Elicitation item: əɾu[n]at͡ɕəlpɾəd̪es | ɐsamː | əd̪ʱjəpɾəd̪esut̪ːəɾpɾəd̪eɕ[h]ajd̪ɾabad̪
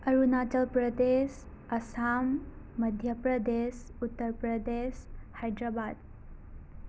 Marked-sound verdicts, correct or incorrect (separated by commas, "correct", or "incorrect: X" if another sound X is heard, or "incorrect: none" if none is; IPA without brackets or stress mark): correct, correct